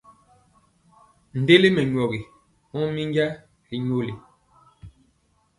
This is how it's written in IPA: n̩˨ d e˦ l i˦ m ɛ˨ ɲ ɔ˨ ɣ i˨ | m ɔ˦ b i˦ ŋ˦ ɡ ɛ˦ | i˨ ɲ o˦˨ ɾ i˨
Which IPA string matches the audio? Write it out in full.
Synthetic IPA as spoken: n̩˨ d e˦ l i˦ m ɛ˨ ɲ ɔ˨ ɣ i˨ | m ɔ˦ m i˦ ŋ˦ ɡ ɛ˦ | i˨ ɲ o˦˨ l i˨